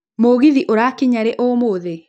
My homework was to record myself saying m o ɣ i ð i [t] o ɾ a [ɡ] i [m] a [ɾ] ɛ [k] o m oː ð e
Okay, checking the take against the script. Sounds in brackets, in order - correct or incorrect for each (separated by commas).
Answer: incorrect, incorrect, incorrect, correct, incorrect